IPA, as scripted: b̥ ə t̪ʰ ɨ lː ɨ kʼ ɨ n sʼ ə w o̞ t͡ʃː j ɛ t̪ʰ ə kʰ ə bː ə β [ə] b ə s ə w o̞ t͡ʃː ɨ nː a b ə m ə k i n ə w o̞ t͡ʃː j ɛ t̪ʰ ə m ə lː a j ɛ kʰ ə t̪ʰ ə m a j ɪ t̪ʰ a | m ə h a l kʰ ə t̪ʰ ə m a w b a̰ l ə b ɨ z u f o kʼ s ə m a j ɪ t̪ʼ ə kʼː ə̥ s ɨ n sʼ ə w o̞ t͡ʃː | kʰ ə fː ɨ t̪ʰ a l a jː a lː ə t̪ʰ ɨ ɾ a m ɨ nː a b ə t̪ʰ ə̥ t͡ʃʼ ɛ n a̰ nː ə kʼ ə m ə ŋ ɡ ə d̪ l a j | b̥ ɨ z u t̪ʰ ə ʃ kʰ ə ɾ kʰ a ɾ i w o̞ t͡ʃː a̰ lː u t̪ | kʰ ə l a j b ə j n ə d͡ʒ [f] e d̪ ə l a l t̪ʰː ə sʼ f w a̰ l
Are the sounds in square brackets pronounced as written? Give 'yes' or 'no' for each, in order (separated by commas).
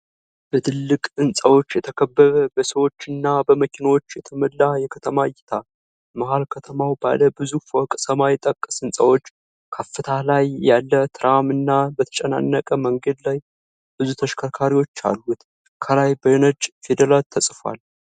yes, yes